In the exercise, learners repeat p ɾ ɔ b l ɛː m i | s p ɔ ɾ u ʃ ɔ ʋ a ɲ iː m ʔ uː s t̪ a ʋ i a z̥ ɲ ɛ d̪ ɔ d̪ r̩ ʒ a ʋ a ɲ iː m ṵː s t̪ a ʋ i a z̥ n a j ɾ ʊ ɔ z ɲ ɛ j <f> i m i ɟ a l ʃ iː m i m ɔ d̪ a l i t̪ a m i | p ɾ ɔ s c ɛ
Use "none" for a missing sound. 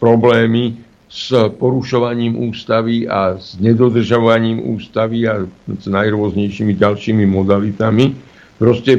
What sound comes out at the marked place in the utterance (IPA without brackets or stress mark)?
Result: ʃ